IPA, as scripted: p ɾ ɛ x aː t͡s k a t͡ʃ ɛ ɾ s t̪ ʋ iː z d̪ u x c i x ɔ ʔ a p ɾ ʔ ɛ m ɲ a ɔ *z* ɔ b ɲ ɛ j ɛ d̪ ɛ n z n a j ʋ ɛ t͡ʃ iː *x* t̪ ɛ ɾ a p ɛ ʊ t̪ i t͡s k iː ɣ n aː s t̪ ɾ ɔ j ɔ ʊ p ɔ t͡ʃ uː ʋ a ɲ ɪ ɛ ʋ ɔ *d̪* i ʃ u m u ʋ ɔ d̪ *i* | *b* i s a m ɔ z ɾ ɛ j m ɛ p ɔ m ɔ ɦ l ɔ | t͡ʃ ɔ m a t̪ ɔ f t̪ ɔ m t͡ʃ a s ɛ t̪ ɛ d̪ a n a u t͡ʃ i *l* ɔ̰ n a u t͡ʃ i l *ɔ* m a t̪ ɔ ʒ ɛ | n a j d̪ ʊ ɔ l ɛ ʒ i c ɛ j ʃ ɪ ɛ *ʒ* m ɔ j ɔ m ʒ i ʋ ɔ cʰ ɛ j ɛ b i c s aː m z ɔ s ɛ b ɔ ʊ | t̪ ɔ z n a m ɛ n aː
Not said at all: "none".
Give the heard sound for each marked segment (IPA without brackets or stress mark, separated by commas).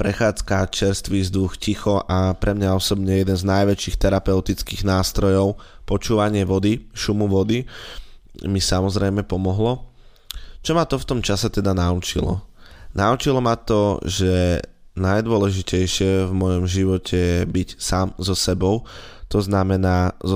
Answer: s, x, d̪, i, m, l, ɔ, v